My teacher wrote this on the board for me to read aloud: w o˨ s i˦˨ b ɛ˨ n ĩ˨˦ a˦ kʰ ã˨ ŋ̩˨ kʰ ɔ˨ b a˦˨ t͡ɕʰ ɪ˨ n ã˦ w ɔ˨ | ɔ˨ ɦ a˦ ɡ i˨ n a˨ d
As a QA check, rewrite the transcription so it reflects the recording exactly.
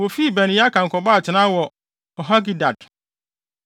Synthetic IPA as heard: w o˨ f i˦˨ b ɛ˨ n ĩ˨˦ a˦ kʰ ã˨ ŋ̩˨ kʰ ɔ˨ b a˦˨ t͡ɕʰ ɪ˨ n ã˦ w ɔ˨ | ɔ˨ ɦ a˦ ɡ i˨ d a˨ d